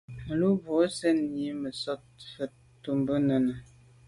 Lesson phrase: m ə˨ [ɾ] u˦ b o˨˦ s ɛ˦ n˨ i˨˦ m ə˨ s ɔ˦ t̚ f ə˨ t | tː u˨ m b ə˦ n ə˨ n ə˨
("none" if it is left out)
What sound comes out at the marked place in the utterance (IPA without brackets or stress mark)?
l